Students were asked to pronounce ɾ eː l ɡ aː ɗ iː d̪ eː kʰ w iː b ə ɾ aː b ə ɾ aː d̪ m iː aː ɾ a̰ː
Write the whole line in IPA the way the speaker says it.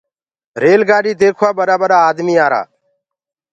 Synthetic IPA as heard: ɾ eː l ɡ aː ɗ iː d̪ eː kʰ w aː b ə ɾ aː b ə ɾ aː d̪ m iː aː ɾ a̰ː